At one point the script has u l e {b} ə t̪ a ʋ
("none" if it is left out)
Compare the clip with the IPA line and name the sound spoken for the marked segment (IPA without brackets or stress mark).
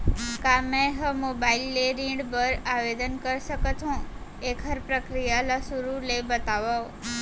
b